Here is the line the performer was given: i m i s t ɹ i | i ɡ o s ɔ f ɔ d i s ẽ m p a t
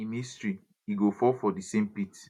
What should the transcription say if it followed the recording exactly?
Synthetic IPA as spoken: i m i s t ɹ i | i ɡ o f ɔ f ɔ d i s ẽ m p i t